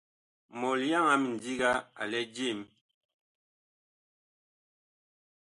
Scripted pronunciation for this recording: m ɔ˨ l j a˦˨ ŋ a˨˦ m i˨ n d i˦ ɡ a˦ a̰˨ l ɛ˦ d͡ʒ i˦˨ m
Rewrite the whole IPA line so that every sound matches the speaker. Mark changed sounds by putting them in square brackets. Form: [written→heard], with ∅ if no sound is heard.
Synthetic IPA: m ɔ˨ l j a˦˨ ŋ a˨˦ m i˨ n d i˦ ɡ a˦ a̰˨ l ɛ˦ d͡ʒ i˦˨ m

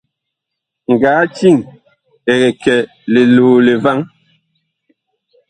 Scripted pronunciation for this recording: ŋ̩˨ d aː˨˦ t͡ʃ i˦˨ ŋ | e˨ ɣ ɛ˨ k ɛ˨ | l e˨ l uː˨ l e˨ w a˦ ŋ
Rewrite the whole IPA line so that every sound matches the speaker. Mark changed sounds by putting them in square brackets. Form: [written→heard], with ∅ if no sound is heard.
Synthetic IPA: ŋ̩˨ [d→ɡ] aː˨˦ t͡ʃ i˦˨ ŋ | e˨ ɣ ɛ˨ k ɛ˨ | l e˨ l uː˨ l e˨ [w→v] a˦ ŋ

